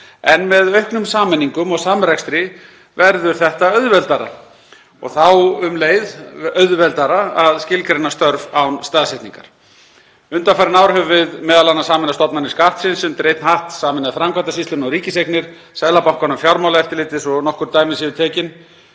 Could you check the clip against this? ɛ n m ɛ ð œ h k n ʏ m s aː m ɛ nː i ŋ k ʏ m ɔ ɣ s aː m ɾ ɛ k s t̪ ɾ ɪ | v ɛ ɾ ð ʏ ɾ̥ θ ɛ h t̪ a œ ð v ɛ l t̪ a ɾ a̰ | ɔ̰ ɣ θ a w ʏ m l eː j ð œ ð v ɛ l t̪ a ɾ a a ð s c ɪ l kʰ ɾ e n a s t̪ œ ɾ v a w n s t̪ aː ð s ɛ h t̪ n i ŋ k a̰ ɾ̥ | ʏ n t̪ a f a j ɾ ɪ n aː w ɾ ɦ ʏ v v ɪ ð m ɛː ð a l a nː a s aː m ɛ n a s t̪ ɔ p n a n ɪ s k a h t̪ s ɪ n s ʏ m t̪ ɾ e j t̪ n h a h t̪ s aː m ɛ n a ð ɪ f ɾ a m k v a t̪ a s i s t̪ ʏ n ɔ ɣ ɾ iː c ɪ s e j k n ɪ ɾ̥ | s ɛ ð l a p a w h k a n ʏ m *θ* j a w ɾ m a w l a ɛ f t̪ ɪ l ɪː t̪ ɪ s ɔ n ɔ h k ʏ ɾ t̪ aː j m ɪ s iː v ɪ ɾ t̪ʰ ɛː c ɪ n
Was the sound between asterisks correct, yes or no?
no